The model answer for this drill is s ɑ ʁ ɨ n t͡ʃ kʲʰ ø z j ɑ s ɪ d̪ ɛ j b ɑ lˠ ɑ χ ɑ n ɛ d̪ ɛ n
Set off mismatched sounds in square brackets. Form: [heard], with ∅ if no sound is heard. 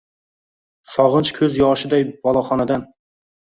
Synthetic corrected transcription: s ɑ ʁ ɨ n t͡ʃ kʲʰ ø z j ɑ [ʃ] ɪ d̪ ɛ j b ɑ lˠ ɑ χ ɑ n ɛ d̪ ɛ n